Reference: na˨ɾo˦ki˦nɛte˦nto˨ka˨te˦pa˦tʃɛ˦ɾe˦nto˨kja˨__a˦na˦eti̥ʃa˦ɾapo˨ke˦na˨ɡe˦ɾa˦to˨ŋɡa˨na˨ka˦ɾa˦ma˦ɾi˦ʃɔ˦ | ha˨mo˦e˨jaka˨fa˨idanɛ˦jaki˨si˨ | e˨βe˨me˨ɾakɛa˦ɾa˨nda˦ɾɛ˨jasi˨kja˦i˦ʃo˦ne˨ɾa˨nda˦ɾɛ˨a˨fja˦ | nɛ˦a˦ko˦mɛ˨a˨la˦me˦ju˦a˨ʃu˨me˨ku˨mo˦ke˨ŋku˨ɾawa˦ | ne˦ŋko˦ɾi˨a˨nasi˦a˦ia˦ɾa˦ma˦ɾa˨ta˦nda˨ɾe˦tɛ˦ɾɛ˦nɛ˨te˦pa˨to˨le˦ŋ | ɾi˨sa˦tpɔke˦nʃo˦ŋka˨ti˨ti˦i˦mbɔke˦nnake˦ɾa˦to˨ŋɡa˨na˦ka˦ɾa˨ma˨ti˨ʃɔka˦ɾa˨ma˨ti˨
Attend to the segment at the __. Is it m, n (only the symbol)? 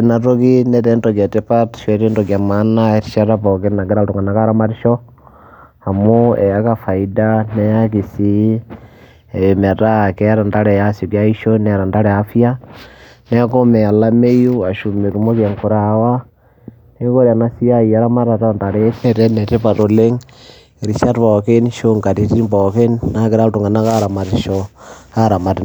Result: m